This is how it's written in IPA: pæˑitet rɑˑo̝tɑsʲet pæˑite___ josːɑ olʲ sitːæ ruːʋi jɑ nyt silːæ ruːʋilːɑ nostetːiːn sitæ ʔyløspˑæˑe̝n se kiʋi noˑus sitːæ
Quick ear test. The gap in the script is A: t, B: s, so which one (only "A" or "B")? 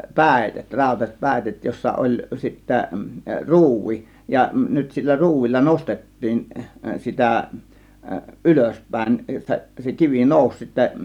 A